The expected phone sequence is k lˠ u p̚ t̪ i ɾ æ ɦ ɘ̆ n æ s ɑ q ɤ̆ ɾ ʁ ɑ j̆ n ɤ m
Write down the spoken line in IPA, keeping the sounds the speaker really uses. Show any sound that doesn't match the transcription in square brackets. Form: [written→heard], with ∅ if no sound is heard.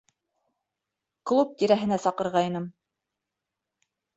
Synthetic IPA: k lˠ u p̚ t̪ i ɾ æ ɦ ɘ̆ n æ s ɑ q ɤ̆ ɾ ʁ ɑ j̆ n ɤ m